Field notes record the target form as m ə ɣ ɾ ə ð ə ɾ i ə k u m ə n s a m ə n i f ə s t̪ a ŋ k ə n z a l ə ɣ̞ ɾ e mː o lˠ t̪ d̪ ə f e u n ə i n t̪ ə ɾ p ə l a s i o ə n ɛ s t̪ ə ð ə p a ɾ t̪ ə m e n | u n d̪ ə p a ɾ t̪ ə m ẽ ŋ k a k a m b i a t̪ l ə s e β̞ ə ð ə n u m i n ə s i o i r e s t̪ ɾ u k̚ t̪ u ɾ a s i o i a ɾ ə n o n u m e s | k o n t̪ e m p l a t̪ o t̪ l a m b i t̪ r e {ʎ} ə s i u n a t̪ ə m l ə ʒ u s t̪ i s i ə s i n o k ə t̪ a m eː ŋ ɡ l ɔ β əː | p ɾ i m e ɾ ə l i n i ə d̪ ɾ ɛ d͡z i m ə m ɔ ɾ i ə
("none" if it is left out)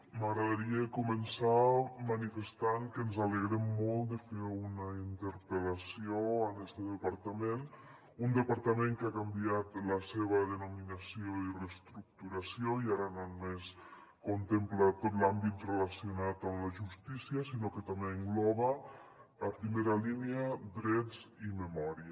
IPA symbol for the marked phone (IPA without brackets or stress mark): l